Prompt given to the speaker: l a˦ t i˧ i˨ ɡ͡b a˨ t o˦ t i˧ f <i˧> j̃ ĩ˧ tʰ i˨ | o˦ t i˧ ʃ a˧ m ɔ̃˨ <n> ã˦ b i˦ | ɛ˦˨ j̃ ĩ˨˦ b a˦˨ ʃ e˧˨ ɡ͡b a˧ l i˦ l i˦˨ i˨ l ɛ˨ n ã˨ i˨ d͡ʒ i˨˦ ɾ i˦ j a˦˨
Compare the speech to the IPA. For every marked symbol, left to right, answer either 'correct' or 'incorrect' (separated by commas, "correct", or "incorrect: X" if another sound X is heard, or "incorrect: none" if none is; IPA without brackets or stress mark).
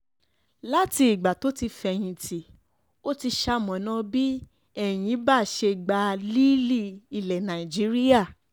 incorrect: ɛ˧, correct